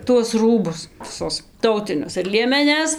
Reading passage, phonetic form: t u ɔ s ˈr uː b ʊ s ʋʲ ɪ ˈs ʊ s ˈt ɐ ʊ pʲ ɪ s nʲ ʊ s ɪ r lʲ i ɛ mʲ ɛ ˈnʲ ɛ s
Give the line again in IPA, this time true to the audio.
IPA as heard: t u ɔ s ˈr uː b ʊ s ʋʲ ɪ ˈs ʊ s ˈt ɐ ʊ tʲ ɪ nʲ ʊ s ɪ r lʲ i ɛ mʲ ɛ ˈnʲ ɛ s